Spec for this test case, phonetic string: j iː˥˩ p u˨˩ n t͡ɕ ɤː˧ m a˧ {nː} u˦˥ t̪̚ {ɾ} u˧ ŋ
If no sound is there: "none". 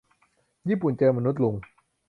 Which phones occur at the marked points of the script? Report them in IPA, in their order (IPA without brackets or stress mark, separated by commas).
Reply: n, l